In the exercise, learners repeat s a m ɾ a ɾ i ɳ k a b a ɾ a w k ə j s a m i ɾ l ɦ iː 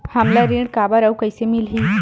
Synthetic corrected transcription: h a m l a ɾ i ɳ k a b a ɾ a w k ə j s e m i l ɦ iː